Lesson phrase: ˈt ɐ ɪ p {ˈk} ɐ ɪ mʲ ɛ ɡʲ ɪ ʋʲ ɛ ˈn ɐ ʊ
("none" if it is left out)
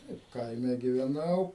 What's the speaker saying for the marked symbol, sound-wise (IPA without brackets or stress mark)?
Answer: k